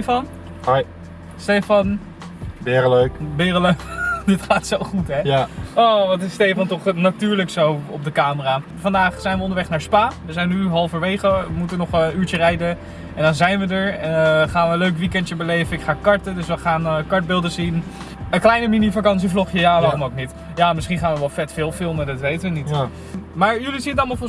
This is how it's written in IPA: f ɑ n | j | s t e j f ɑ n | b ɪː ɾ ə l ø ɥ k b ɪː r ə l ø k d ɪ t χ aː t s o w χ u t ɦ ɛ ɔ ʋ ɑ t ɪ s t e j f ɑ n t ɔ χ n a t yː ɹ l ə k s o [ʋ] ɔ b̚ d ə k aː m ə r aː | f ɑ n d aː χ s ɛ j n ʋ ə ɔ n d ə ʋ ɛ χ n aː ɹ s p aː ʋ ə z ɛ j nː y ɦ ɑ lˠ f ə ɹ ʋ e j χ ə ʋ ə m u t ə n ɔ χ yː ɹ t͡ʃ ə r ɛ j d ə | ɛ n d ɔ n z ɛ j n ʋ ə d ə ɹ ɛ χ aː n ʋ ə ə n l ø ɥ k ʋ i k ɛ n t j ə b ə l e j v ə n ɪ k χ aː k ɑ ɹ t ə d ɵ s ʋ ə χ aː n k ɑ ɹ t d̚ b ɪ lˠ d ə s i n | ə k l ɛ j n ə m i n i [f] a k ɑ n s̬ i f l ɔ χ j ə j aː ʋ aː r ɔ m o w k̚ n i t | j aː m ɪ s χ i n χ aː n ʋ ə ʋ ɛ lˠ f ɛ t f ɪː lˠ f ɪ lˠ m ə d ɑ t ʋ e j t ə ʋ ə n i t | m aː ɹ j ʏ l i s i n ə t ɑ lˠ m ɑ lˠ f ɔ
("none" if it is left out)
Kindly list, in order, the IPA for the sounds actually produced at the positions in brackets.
w, f

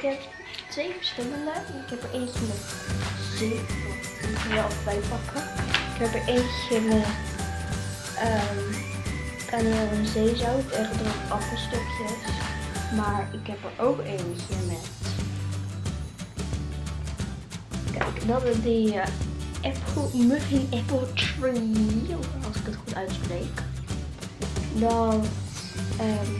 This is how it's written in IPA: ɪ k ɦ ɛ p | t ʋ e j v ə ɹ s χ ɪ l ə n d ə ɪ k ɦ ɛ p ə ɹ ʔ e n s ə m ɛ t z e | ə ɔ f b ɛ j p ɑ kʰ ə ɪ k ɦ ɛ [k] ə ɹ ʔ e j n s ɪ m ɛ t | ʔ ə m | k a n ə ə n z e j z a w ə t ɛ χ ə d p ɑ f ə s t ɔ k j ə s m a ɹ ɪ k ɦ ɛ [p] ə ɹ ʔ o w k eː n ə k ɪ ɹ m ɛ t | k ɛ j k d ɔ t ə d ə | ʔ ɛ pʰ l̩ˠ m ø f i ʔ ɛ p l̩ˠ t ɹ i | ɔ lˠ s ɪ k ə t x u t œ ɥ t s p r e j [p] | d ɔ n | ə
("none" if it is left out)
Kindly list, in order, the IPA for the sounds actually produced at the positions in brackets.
p, p, k

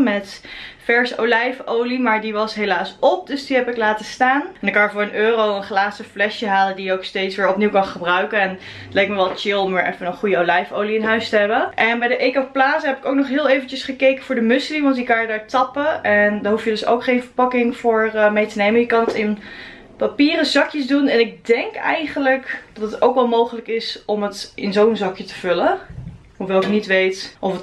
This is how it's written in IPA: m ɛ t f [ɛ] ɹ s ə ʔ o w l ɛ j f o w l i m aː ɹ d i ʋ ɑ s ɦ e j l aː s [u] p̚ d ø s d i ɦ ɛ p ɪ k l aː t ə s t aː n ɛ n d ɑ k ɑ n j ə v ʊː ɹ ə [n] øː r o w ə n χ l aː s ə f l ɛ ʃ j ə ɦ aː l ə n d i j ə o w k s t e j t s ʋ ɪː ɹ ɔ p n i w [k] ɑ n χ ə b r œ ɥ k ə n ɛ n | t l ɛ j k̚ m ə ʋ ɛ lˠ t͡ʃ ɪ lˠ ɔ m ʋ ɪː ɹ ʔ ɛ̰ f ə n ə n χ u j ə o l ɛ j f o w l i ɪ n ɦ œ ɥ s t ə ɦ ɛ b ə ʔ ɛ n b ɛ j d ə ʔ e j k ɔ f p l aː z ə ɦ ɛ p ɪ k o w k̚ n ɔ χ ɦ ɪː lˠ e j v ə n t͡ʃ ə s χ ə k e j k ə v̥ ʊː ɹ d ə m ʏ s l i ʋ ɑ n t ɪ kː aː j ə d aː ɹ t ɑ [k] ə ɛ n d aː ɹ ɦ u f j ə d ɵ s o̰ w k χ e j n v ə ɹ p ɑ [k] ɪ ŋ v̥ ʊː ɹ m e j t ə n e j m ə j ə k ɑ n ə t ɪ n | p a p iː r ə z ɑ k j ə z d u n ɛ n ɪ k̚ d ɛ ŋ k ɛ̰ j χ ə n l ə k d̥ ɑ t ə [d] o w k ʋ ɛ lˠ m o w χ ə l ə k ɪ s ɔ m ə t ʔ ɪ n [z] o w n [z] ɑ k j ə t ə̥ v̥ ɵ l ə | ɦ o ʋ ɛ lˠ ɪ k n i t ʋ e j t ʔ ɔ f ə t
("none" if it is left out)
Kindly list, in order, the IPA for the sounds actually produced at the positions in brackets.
ɛ, ɔ, n, k, p, k, t, z, z

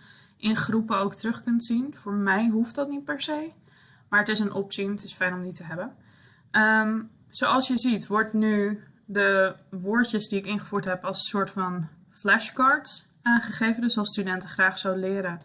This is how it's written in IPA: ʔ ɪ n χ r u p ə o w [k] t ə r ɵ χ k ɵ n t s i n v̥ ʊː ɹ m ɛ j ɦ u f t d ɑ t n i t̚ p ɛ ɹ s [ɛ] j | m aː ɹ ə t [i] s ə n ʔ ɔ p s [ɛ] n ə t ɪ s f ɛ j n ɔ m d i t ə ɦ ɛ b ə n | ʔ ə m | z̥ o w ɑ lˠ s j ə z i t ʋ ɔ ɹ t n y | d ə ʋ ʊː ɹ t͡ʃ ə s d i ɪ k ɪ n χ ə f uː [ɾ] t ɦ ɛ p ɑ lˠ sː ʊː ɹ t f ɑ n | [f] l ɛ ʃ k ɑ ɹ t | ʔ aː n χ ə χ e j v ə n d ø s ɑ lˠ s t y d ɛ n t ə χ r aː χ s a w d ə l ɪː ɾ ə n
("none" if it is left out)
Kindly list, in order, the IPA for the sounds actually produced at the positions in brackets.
k, e, ɪ, i, ɹ, f

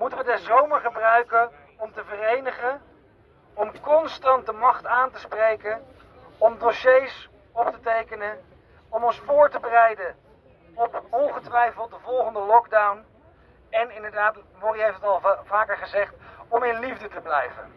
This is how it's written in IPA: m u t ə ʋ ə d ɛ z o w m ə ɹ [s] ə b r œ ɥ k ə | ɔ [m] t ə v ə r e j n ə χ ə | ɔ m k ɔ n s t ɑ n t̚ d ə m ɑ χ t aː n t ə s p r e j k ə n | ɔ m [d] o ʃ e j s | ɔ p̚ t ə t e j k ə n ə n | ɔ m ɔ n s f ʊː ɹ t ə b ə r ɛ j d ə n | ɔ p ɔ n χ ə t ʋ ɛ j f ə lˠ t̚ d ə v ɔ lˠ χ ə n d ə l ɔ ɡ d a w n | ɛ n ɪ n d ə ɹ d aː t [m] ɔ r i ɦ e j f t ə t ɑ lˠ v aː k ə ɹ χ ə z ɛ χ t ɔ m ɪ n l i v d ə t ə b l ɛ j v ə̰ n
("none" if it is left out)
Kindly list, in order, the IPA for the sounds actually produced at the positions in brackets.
χ, m, d, m

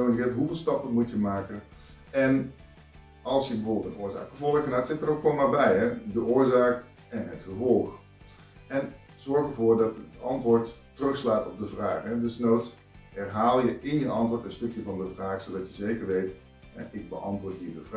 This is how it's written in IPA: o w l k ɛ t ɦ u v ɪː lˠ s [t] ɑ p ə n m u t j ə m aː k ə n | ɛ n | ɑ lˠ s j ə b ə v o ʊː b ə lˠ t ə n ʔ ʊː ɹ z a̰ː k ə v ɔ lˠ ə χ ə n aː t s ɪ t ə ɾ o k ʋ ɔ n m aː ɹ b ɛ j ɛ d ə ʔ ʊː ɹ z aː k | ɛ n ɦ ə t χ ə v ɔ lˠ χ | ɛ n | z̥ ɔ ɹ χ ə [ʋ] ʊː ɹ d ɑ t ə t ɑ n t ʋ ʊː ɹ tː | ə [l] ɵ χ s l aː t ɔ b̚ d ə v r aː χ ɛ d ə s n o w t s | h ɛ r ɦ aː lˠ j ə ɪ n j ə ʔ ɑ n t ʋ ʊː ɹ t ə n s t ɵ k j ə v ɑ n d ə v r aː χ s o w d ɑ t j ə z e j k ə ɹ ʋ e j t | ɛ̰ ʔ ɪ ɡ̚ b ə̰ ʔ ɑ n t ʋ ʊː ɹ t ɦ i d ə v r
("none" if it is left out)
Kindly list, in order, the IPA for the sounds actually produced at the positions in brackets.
t, v, r

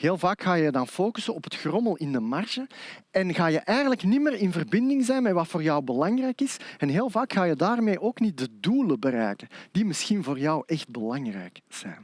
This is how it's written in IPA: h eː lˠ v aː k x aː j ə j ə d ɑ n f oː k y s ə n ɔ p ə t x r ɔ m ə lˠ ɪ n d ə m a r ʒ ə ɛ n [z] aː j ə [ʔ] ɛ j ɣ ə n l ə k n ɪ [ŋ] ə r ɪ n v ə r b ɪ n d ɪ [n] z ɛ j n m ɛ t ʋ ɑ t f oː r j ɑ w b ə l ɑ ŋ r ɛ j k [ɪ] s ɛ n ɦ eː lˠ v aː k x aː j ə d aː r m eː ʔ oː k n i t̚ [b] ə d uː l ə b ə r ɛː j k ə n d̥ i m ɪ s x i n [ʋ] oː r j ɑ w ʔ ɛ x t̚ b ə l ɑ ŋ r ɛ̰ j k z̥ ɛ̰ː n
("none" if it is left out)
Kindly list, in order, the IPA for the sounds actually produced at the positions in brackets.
ɣ, ʔ, m, ŋ, ɪ, d, v

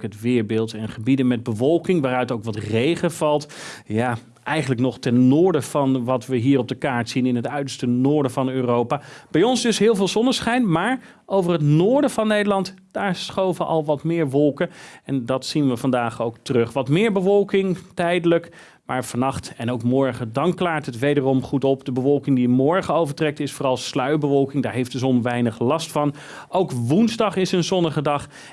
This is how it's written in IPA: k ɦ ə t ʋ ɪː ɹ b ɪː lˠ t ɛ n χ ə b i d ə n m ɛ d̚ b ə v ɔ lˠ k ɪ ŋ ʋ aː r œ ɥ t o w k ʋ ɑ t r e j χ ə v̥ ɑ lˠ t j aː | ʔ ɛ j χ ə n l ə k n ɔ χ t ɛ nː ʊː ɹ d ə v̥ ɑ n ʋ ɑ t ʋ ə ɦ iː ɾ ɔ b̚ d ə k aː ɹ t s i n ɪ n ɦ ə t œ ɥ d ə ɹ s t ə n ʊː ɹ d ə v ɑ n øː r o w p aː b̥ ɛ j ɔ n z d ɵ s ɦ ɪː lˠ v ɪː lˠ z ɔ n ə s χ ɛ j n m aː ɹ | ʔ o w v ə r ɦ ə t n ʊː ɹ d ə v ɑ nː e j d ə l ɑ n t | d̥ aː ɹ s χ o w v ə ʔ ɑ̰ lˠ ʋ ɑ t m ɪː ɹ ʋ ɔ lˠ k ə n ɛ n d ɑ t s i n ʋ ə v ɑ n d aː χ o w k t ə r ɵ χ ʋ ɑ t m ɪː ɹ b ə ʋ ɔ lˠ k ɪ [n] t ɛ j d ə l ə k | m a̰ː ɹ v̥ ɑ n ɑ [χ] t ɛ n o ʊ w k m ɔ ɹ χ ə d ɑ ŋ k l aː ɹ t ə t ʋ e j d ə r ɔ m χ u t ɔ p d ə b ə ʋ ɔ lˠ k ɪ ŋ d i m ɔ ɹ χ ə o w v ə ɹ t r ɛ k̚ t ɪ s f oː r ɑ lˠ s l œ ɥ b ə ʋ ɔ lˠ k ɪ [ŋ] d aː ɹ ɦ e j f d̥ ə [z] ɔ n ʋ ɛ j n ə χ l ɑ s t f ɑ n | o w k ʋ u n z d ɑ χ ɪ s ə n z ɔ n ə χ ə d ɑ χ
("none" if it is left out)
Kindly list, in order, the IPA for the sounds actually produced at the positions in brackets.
ŋ, χ, ŋ, z

